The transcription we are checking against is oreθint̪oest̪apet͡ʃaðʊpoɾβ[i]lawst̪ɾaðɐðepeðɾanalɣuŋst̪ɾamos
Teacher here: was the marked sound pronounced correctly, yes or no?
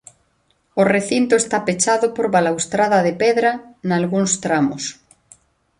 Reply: no